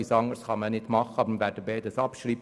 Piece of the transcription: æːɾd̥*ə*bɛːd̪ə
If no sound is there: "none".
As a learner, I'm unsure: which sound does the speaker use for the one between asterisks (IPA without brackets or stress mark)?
ə